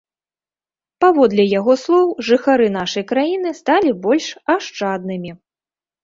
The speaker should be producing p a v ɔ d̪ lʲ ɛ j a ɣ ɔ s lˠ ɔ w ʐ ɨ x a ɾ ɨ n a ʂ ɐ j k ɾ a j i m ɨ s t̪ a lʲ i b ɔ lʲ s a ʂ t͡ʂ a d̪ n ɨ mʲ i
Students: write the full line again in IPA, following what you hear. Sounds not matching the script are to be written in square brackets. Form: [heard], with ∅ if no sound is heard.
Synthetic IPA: p a v ɔ d̪ lʲ ɛ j a ɣ ɔ s lˠ ɔ w ʐ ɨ x a ɾ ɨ n a ʂ ɐ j k ɾ a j i [n] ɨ s t̪ a lʲ i b ɔ lʲ [ʂ] a ʂ t͡ʂ a d̪ n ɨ mʲ i